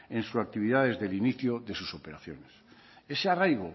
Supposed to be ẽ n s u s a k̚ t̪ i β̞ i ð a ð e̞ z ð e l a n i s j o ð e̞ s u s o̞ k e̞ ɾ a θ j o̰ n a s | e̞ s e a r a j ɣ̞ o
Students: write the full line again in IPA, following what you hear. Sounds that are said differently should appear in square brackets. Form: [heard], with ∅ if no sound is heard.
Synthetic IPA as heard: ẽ n s u s a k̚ t̪ i β̞ i ð a ð e̞ z ð e l [i] n i [θ] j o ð e̞ s u s o̞ [p] e̞ ɾ a θ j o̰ n [e] s | e̞ s e a r a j ɣ̞ o